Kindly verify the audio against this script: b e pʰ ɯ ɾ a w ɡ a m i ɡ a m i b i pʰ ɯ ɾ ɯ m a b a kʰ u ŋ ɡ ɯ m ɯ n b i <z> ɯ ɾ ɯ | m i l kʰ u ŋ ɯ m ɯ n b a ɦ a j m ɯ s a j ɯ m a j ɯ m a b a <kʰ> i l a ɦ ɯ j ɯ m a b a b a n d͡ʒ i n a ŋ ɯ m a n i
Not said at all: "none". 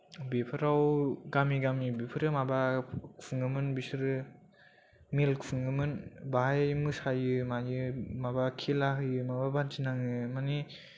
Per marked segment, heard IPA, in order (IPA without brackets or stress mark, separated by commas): s, kʰ